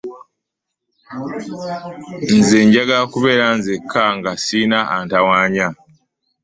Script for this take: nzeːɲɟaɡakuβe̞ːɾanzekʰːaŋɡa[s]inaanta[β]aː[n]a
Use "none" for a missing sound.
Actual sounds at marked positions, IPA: s, w, ɲ

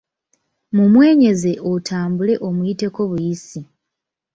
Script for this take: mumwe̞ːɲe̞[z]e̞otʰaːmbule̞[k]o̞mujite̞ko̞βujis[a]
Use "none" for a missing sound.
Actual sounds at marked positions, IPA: z, ʔ, i

